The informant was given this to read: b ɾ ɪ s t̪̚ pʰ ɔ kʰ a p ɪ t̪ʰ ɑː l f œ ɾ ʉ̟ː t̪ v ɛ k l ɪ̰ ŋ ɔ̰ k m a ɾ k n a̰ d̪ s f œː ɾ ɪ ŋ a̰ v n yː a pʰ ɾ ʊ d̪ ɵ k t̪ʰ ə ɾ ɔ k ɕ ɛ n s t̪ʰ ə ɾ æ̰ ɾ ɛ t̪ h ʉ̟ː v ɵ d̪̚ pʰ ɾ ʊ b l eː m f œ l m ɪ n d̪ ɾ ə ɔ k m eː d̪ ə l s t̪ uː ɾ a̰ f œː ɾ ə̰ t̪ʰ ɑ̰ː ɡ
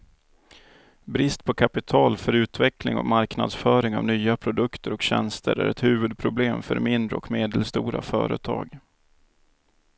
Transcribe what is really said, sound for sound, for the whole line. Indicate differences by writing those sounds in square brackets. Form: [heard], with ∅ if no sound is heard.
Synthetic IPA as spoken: b ɾ ɪ s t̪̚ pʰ ɔ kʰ a p ɪ t̪ʰ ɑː l f œ ɾ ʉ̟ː t̪ v ɛ k l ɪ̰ ŋ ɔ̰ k m a ɾ k n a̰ d̪ s f œː ɾ ɪ ŋ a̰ v n yː a pʰ ɾ ʊ d̪ ɵ k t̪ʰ ə ɾ ɔ k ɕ ɛ n s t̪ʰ ə ɾ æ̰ ɾ ɛ t̪ h ʉ̟ː v ɵ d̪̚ pʰ ɾ ʊ b l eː m f œ [ɾ] m ɪ n d̪ ɾ ə ɔ k m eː d̪ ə l s t̪ uː ɾ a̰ f œː ɾ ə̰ t̪ʰ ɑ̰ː ɡ

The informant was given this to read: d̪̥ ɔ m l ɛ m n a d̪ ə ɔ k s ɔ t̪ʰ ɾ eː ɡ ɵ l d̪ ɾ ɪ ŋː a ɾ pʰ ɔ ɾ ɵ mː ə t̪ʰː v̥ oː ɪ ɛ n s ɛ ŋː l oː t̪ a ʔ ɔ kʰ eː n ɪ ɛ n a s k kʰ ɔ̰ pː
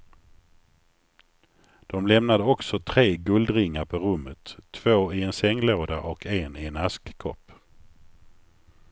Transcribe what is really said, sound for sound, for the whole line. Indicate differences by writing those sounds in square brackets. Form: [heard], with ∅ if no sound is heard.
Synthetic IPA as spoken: d̪̥ ɔ m l ɛ m n a d̪ ə ɔ k s ɔ t̪ʰ ɾ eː ɡ ɵ l d̪ ɾ ɪ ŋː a ɾ pʰ ɔ ɾ ɵ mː ə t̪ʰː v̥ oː ɪ ɛ n s ɛ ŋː l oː [d̪] a ʔ ɔ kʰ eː n ɪ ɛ n a s k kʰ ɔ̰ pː

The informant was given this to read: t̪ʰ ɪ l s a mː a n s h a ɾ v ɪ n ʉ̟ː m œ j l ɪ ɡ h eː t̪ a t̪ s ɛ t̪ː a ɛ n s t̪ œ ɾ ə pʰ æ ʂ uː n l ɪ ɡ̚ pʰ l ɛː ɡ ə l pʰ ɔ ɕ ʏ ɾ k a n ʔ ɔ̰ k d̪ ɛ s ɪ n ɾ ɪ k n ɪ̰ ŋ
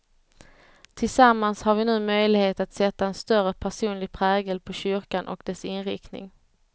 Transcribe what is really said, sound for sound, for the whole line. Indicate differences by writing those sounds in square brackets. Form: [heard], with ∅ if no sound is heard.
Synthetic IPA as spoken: t̪ʰ ɪ l s a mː a n s h a ɾ v ɪ n ʉ̟ː m œ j l ɪ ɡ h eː t̪ a t̪ s ɛ t̪ː a ɛ n s t̪ œ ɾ ə pʰ æ ʂ uː n l ɪ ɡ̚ pʰ [ɾ] ɛː ɡ ə l pʰ ɔ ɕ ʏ ɾ k a n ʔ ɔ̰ k d̪ ɛ s ɪ n ɾ ɪ k n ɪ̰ ŋ

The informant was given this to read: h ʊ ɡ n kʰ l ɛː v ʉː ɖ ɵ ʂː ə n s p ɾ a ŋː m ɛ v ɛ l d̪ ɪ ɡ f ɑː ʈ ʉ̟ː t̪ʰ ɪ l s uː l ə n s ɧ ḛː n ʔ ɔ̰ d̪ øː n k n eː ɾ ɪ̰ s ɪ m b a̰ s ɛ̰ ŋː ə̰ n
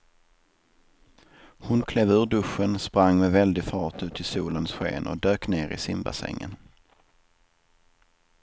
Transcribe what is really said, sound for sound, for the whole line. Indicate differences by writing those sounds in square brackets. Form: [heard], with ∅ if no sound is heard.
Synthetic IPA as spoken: h ʊ [∅] n kʰ l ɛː v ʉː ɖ ɵ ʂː ə n s p ɾ a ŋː m ɛ v ɛ l d̪ ɪ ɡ f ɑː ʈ ʉ̟ː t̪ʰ ɪ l s uː l ə n s ɧ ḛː n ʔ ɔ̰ d̪ øː [∅] k n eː ɾ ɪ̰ s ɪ m b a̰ s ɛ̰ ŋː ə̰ n

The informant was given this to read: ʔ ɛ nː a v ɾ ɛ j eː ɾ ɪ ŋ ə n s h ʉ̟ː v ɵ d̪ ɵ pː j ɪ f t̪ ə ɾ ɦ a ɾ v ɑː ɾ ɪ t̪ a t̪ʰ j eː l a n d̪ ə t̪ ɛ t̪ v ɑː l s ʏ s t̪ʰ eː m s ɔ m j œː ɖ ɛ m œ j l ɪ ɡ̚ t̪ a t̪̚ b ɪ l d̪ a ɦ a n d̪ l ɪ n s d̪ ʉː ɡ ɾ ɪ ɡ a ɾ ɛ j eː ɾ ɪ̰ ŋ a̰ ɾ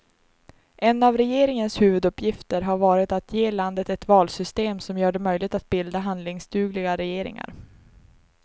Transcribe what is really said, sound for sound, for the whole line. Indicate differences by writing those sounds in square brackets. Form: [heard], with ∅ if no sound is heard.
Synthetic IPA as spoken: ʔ ɛ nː a v ɾ ɛ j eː ɾ ɪ ŋ ə n s h ʉ̟ː v ɵ d̪ ɵ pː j ɪ f t̪ ə ɾ ɦ a ɾ v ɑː ɾ ɪ t̪ a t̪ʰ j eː l a n d̪ ə t̪ ɛ t̪ v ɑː l s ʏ s [t̪] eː m s ɔ m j œː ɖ ɛ m œ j l ɪ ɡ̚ t̪ a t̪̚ b ɪ l d̪ a ɦ a n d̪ l ɪ [ŋ] s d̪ ʉː ɡ [l] ɪ ɡ a ɾ ɛ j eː ɾ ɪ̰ ŋ a̰ ɾ

